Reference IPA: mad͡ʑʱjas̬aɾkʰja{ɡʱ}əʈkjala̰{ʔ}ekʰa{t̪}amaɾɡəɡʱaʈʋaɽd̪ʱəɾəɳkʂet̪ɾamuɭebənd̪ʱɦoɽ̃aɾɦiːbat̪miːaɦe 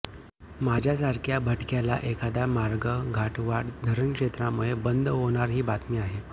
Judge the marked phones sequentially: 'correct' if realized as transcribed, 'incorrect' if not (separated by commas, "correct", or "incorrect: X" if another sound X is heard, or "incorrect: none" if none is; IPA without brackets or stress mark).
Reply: incorrect: bʱ, correct, incorrect: d̪